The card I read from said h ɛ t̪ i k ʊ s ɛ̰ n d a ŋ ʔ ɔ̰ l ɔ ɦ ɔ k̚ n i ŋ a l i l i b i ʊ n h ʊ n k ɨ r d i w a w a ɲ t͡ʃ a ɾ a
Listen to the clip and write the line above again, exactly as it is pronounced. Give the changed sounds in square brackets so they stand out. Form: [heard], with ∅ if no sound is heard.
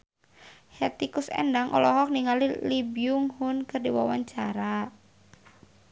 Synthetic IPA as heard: h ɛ t̪ i k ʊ s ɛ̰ n d a ŋ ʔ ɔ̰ l ɔ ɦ ɔ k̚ n i ŋ a l i l i b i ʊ [ŋ] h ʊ n k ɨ r d i w a w a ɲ t͡ʃ a ɾ a